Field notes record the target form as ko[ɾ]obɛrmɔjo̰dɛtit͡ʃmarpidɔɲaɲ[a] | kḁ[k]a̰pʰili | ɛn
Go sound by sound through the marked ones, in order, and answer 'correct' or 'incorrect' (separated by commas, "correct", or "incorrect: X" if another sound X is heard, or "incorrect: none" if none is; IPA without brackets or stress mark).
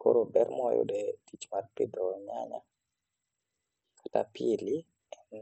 correct, correct, incorrect: t